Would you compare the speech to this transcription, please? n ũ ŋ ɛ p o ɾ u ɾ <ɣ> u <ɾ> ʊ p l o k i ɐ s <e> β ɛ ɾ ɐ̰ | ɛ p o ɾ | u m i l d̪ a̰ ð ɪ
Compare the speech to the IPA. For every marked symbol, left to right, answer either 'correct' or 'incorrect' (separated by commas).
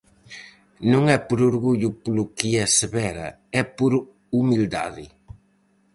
correct, incorrect, correct